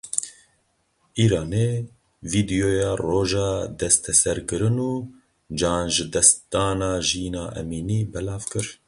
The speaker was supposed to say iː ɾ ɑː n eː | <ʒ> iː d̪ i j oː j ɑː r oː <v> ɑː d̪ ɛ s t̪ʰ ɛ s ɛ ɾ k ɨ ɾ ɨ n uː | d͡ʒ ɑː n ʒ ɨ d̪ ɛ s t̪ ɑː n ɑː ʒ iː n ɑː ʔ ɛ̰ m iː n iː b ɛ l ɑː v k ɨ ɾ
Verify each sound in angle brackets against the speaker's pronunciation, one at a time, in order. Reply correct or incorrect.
incorrect: v, incorrect: ʒ

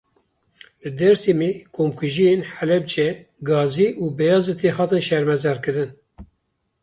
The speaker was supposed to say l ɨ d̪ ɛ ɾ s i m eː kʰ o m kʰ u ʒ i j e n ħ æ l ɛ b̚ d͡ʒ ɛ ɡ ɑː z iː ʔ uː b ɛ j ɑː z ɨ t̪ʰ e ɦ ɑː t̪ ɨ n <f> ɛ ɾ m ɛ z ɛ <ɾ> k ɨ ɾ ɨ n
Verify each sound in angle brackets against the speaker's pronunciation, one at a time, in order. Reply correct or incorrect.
incorrect: ʃ, correct

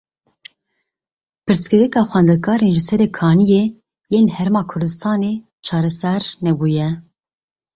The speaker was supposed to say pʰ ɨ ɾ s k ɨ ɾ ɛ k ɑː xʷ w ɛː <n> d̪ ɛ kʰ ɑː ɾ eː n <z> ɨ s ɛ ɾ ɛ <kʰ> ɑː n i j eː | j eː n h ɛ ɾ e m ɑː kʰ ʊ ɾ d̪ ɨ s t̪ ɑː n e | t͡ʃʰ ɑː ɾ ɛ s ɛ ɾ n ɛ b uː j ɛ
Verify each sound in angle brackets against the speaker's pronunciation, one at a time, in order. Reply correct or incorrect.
correct, incorrect: ʒ, correct

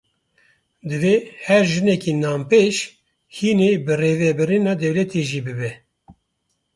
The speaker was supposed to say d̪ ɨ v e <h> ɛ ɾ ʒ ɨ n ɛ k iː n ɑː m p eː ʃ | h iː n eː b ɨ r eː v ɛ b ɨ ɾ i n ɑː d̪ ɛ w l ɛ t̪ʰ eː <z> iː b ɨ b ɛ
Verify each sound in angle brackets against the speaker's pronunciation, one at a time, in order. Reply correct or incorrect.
correct, incorrect: ʒ

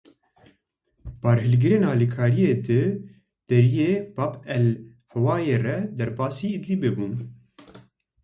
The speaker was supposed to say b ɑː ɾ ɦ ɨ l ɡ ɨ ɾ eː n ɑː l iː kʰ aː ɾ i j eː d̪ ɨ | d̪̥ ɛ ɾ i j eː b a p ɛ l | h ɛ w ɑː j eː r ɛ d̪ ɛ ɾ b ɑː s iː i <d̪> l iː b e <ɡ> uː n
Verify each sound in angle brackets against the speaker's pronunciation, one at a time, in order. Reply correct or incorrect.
correct, incorrect: b

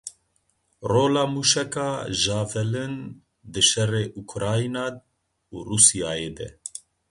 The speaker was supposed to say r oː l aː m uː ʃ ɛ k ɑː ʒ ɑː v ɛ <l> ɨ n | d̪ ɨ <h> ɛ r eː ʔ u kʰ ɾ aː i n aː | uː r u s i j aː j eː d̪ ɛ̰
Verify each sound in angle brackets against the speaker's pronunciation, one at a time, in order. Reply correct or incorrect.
correct, incorrect: ʃ

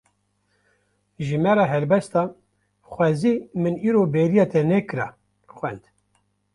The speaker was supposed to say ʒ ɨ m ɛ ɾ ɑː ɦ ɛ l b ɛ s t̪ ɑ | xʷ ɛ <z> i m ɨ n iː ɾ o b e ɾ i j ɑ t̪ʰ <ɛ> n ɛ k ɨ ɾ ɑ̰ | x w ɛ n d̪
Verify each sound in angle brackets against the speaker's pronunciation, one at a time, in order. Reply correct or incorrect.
correct, correct

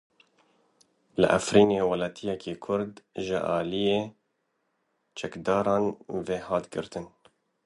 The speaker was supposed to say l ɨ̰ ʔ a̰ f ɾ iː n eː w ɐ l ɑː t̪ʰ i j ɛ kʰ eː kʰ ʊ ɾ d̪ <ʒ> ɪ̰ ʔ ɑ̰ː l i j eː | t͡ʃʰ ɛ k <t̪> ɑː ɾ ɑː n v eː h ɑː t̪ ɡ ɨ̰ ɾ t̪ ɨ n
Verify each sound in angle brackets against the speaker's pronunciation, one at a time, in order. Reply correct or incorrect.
correct, incorrect: d̪

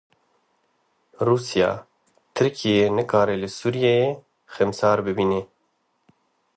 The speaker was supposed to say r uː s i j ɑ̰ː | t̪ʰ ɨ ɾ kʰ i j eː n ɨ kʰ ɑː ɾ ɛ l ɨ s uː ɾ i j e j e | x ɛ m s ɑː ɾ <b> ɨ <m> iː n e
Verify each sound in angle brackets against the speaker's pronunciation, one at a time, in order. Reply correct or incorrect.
correct, incorrect: b

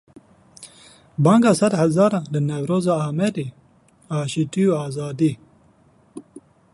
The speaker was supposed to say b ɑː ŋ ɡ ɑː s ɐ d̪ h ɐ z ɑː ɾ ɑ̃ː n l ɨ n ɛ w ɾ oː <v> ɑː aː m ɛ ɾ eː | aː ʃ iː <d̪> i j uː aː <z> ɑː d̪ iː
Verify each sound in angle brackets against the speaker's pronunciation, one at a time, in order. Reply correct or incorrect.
incorrect: z, incorrect: t̪, correct

